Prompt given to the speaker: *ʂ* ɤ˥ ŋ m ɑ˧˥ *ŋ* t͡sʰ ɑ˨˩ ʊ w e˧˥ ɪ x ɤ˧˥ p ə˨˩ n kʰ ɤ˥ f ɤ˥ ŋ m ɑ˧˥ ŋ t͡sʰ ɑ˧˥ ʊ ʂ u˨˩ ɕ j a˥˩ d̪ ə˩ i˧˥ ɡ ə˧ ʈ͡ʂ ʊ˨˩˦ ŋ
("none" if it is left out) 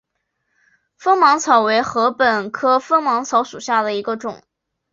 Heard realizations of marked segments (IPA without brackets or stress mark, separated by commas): f, ŋ